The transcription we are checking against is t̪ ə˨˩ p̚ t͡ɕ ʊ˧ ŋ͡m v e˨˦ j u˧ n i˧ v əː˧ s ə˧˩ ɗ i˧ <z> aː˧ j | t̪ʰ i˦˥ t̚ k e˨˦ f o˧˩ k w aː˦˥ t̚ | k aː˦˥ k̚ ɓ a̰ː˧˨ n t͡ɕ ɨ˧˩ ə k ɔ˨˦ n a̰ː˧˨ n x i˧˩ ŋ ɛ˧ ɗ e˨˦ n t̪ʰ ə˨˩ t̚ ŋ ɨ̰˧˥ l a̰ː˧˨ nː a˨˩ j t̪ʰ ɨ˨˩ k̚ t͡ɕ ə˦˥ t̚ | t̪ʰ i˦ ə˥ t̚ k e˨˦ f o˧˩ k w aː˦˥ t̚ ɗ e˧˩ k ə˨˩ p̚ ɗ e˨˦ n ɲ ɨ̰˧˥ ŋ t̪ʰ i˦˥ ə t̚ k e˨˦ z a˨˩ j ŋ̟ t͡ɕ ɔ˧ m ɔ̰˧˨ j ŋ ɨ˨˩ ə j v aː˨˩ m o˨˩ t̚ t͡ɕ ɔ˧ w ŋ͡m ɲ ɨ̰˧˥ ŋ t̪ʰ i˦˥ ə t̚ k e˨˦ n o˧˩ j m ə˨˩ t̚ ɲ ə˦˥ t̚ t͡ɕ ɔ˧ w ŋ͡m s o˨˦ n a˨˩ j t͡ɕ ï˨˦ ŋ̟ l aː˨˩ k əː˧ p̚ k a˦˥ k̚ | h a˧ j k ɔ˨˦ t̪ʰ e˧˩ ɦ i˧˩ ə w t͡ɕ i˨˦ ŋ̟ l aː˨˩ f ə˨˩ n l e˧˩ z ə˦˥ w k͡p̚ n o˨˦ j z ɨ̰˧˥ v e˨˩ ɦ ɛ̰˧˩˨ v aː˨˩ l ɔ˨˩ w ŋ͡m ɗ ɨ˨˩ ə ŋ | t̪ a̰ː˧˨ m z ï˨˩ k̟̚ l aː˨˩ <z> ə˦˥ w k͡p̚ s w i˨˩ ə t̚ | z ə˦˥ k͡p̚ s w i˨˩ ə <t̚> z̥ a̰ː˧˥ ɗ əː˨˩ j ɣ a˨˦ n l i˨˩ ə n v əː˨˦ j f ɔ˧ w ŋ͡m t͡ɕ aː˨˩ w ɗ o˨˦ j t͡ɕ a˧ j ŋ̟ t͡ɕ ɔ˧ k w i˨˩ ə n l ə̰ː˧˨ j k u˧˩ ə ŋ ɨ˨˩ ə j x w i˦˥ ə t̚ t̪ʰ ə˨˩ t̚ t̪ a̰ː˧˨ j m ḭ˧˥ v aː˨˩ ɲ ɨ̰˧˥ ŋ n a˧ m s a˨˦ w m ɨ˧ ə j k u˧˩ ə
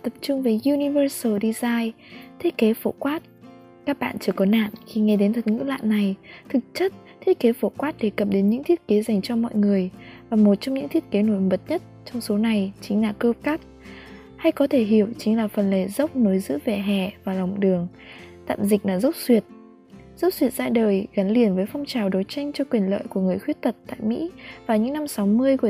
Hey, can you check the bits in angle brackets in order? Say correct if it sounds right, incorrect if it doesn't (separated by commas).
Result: correct, correct, correct